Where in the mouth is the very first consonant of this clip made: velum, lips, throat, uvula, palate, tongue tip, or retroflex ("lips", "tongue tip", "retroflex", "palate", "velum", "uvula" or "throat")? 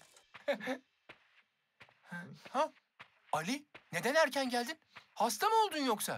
throat